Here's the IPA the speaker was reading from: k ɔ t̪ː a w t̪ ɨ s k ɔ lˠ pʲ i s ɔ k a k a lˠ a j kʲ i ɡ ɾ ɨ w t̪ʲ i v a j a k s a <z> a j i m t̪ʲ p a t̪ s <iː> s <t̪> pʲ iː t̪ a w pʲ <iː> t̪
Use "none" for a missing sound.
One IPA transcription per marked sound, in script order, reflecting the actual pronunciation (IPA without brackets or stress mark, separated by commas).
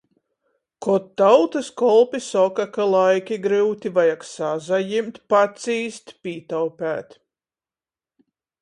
z, iː, t̪, æː